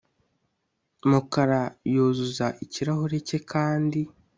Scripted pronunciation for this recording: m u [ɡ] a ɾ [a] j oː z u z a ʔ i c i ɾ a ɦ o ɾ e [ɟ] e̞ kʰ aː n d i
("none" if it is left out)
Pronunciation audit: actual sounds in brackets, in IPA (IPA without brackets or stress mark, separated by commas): k, a, c